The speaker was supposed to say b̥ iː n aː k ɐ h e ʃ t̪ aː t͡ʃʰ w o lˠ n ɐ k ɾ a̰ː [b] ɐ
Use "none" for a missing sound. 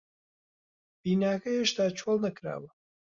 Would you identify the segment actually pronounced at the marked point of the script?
w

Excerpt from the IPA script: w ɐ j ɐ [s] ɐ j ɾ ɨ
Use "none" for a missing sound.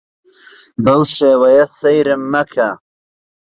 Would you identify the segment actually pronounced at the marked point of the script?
s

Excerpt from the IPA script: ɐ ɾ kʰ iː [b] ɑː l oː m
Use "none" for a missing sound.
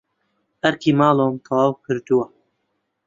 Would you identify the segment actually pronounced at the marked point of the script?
m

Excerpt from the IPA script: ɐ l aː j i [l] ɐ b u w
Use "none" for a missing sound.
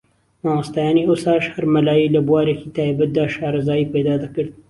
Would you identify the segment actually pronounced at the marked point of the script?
l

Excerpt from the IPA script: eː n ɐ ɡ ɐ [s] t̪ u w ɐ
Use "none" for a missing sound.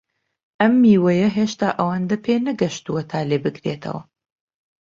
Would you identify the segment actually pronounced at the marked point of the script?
ʃ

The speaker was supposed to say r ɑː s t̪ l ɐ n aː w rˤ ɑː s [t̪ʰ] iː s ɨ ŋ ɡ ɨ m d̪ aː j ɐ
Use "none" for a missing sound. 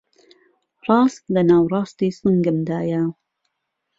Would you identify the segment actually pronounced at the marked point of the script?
t̪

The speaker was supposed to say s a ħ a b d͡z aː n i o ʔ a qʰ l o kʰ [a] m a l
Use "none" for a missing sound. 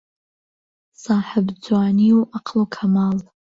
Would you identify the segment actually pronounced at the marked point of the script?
a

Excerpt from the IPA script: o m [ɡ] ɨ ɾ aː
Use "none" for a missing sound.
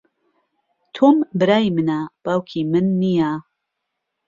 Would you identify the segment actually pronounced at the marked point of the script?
b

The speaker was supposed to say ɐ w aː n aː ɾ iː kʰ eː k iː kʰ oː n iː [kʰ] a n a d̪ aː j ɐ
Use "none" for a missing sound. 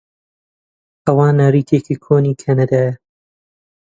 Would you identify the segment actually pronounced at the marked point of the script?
kʰ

